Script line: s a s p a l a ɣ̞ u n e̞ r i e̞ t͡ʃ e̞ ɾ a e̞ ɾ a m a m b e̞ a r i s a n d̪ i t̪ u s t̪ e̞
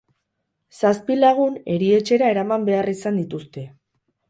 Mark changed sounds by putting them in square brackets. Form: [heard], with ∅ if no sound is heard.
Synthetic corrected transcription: s a s p [i] l a ɣ̞ u n e̞ [ɾ] i e̞ t͡ʃ e̞ ɾ a e̞ ɾ a m a m b e̞ a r i s a n d̪ i t̪ u s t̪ e̞